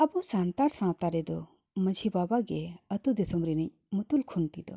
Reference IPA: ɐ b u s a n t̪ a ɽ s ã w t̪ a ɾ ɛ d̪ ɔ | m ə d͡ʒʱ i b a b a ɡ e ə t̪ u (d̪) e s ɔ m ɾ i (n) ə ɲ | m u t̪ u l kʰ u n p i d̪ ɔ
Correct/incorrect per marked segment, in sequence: correct, correct

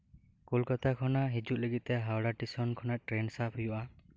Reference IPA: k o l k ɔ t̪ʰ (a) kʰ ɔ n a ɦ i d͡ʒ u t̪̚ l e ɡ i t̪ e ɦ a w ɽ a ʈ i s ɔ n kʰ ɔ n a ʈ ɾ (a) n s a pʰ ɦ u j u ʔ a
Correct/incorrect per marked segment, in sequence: correct, incorrect: e

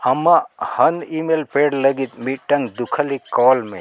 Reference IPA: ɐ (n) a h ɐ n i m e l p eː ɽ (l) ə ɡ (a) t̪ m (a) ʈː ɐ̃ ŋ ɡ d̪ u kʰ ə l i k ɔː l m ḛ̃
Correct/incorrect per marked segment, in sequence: incorrect: m, correct, incorrect: i, incorrect: i

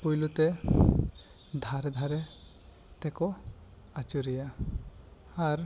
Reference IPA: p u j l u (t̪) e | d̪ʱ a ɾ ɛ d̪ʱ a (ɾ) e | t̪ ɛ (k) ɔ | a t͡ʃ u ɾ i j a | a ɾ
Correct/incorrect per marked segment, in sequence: correct, correct, correct

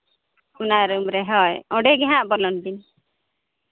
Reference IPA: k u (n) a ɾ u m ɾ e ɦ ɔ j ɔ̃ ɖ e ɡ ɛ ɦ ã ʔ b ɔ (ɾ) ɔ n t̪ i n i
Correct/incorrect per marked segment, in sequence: correct, incorrect: l

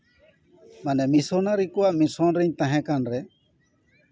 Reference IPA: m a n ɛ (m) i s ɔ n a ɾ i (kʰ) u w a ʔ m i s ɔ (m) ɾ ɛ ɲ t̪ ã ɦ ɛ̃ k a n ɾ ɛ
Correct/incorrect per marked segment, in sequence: correct, incorrect: k, incorrect: n

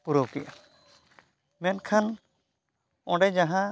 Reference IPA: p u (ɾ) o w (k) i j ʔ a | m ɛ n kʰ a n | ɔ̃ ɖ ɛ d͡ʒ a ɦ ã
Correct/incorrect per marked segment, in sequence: correct, correct

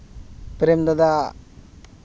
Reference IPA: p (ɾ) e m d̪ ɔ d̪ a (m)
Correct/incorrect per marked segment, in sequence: correct, incorrect: none

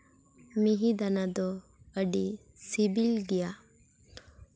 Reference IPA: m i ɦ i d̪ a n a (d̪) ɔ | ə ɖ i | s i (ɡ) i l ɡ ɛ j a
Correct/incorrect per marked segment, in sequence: correct, incorrect: b

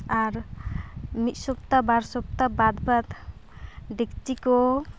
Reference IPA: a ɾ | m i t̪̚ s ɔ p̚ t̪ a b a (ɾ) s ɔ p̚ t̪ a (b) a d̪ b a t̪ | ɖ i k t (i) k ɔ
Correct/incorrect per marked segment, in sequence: correct, correct, correct

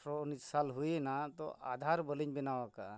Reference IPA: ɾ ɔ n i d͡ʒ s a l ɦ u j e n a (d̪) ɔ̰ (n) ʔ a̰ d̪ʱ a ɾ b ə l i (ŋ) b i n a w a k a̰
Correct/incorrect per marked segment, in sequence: incorrect: t̪, incorrect: none, incorrect: ɲ

